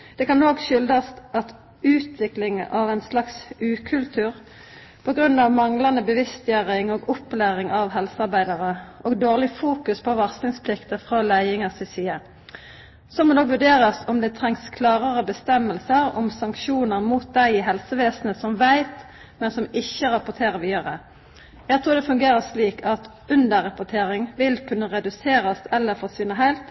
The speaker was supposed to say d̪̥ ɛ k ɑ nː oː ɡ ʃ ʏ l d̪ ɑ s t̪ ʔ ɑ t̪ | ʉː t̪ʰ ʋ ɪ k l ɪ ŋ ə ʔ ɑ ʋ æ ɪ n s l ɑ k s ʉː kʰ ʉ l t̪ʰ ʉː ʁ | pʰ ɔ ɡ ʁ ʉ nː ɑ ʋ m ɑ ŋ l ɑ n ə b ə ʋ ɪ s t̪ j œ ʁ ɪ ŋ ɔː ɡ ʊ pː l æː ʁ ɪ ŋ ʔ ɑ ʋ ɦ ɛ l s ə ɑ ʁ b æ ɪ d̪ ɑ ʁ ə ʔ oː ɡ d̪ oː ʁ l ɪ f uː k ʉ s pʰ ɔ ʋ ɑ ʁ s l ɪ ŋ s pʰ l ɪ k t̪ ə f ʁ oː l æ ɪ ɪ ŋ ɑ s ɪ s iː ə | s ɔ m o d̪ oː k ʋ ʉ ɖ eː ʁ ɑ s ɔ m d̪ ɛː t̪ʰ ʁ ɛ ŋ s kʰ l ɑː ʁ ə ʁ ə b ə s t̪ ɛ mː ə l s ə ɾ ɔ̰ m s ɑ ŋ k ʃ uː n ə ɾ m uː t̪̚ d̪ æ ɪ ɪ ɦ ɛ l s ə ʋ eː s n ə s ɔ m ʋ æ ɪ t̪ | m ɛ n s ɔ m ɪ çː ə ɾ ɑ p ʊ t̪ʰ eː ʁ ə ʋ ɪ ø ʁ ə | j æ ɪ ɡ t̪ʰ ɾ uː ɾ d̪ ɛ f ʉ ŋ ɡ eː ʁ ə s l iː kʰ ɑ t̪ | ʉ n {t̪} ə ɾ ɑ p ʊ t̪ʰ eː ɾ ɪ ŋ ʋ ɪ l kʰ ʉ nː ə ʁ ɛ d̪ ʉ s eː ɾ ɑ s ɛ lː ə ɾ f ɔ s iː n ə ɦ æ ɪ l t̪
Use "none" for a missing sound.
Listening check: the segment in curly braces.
d̪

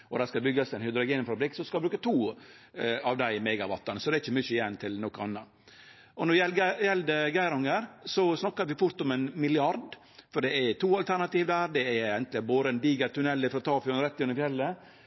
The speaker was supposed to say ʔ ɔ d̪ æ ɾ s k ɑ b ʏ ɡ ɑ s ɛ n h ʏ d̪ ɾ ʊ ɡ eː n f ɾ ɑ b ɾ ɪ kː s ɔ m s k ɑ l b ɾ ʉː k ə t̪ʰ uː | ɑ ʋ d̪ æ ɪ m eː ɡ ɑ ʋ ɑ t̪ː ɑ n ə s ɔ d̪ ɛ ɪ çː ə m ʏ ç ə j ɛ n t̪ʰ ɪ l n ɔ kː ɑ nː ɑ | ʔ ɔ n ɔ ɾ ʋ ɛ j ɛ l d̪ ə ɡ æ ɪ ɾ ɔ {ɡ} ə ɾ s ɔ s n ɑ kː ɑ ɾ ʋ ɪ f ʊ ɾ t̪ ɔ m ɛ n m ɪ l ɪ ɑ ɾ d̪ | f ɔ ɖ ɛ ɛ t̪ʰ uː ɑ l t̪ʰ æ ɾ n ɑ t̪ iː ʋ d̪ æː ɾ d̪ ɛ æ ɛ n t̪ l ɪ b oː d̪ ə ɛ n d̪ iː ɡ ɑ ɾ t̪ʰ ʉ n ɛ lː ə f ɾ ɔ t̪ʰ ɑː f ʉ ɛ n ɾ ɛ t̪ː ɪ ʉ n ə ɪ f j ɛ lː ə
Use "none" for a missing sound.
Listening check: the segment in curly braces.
ŋ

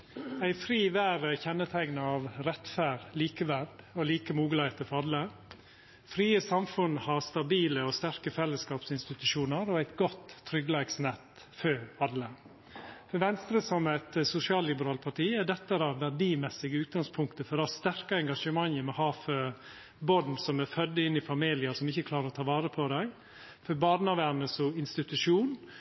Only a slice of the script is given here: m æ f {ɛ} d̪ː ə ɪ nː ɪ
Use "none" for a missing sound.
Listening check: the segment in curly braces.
œ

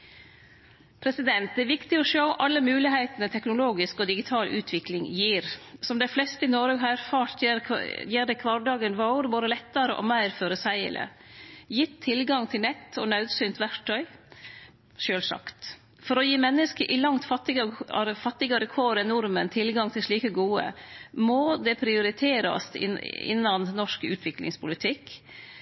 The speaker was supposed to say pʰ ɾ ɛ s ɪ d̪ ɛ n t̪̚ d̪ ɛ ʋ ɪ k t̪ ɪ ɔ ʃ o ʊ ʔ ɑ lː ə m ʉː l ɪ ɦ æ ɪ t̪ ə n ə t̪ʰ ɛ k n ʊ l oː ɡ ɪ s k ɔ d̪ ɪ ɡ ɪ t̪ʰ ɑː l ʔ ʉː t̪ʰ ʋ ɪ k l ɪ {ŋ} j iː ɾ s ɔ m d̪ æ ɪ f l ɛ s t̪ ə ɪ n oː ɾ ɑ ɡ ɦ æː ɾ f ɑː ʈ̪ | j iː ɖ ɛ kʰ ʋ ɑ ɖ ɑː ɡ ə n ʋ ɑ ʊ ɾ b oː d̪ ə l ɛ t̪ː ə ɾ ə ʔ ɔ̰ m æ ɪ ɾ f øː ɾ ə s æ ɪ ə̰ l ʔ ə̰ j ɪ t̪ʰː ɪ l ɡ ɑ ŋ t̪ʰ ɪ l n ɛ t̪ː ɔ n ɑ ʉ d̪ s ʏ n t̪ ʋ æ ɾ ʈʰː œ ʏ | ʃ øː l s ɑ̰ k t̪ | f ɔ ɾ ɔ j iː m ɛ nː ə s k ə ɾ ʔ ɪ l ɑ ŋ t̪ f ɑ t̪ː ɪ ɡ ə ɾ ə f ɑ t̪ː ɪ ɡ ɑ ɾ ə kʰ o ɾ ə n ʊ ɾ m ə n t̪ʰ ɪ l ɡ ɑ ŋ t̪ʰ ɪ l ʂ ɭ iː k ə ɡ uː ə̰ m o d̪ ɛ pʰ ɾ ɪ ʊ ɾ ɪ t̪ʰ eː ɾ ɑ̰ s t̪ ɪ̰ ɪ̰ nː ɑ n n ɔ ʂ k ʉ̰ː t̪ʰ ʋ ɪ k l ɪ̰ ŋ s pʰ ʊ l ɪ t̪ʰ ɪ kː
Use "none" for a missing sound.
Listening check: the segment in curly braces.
ŋ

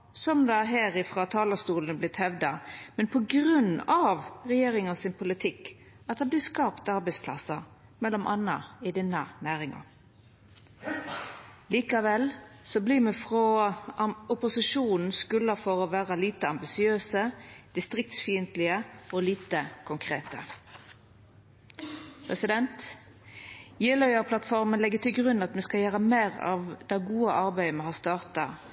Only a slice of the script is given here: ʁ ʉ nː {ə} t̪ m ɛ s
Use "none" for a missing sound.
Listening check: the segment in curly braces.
ɑ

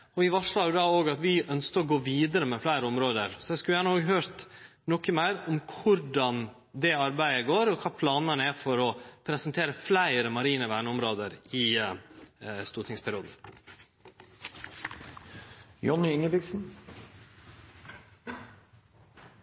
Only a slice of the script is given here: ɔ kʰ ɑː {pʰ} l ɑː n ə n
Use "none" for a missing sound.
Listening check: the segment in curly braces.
pʰ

